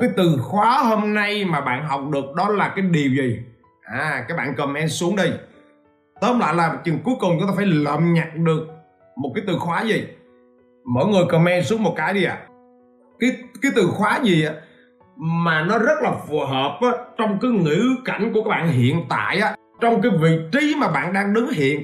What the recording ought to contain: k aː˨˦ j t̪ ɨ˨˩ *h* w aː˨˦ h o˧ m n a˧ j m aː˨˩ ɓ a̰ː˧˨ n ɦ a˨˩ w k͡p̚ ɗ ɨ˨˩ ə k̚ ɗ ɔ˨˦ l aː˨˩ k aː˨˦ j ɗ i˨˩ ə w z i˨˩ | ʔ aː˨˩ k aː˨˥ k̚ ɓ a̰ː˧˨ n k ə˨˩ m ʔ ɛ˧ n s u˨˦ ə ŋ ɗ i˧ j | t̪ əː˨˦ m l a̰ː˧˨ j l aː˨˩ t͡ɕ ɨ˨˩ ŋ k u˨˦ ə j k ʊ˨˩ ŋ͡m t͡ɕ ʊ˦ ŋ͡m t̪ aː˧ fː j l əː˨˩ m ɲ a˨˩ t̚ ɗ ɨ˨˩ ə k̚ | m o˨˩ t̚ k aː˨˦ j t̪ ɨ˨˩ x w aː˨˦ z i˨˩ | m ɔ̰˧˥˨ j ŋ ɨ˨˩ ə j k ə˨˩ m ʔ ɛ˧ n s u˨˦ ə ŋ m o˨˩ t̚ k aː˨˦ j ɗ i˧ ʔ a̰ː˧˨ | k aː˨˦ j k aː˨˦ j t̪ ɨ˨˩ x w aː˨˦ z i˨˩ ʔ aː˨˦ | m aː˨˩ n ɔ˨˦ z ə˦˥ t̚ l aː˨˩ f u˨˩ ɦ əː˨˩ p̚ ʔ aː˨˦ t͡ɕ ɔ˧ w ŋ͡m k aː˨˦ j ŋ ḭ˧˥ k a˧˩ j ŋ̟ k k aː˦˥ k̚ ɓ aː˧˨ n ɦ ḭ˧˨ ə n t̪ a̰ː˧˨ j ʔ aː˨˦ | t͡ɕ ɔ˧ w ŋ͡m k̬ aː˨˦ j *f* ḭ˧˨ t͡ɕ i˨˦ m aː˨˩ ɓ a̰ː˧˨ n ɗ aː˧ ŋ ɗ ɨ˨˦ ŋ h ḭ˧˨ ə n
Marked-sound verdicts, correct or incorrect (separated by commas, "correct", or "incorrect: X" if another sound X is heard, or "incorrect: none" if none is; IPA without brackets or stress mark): incorrect: x, incorrect: v